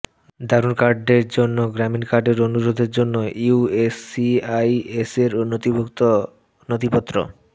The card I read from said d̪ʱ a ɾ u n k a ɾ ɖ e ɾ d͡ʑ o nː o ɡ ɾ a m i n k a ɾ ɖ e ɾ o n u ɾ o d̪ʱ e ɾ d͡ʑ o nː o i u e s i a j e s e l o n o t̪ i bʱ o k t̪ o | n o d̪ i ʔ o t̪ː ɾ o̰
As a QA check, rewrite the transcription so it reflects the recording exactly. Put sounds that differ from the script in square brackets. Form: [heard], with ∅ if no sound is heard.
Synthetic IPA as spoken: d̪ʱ a ɾ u n k a ɾ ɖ e ɾ d͡ʑ o nː o ɡ ɾ a m i n k a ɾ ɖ e ɾ o n u ɾ o d̪ʱ e ɾ d͡ʑ o nː o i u e s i a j e s e [ɾ] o n o t̪ i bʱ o k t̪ o | n o [t̪] i [p] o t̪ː ɾ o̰